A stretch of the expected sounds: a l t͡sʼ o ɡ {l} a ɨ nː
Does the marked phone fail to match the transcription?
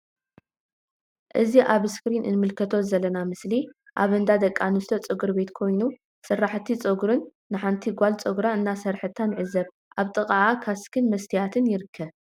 yes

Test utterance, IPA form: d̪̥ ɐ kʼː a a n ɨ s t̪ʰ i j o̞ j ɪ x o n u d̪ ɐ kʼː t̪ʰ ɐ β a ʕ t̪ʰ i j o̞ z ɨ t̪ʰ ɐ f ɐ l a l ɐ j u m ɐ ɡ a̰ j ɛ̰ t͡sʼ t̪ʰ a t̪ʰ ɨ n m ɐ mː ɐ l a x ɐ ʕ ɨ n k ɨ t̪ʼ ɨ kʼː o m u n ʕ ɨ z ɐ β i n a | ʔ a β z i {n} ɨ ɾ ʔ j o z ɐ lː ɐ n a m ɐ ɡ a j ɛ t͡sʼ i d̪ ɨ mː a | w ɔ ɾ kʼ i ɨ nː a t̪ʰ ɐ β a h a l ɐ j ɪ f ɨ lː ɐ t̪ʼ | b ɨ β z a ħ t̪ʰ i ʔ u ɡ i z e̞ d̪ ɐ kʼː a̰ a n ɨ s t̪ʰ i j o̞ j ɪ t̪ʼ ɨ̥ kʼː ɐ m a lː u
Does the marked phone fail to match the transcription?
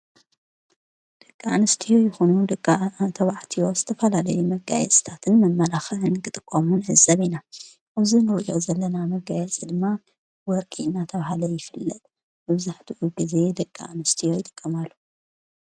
no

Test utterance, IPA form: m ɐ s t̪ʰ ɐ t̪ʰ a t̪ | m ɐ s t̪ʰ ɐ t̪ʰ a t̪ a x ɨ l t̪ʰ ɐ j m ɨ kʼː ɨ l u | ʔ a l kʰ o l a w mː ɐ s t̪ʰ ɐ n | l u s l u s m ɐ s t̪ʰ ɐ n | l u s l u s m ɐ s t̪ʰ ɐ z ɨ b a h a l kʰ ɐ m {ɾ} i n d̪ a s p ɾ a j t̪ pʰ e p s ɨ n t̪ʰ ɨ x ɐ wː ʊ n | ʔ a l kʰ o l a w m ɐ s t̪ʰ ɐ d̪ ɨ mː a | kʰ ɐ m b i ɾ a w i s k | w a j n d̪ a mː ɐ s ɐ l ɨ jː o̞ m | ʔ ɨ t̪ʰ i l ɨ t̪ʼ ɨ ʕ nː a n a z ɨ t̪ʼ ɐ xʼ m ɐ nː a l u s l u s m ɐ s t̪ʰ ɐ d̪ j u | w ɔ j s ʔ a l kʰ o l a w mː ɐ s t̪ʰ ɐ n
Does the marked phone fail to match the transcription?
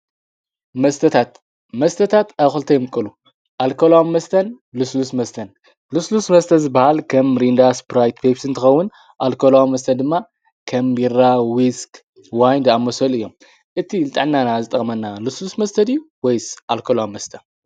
no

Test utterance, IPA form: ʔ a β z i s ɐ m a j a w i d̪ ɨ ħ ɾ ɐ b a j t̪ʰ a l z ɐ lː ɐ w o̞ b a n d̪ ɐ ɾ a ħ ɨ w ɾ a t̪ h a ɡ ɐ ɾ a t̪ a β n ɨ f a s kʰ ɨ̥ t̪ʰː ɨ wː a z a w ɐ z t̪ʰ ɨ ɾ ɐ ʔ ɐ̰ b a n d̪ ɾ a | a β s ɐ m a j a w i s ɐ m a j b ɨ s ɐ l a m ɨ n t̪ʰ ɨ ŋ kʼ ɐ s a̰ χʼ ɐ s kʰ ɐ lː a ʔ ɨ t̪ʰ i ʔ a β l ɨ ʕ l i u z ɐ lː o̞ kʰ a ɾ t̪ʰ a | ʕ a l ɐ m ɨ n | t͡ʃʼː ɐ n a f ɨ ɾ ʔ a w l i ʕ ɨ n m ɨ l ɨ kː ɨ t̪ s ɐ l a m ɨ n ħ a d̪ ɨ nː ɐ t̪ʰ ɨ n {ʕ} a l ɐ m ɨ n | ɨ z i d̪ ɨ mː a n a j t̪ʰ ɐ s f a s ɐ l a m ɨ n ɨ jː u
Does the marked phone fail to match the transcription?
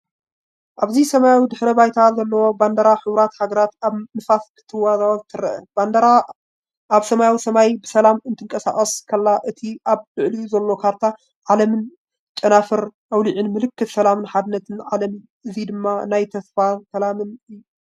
no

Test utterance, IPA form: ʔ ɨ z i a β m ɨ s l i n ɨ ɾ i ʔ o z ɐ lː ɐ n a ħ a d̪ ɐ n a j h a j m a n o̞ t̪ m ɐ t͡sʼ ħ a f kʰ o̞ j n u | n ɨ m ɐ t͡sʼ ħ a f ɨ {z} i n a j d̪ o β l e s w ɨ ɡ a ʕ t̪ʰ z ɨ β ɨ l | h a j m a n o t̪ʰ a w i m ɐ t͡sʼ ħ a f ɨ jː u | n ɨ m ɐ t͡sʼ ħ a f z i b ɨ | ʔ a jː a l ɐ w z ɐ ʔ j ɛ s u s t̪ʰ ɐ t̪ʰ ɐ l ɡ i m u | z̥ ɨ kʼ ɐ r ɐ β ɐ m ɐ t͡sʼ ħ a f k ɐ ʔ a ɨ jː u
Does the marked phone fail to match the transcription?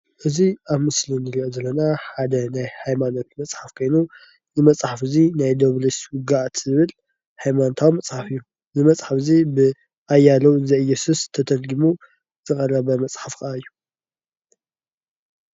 no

